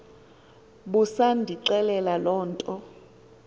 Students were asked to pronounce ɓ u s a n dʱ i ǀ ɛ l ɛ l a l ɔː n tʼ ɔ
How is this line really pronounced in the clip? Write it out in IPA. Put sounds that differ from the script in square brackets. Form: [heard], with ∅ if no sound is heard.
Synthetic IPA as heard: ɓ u s a n dʱ i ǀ ɛ l ɛ l a l ɔː n tʼ ɔ